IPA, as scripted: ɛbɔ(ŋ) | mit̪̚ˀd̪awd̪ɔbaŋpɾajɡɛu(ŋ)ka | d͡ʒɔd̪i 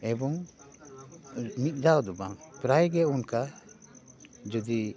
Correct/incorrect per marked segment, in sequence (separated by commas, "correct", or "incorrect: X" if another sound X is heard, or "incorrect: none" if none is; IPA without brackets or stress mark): correct, incorrect: n